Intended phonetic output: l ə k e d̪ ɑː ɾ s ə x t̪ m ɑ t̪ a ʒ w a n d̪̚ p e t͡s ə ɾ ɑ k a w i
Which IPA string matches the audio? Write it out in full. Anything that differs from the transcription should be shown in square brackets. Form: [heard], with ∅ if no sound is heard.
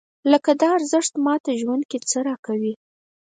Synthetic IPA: l ə k [a] d̪ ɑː ɾ [z] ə [ʂ] t̪ m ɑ t̪ a ʒ w a n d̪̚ [k] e t͡s ə ɾ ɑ k a w i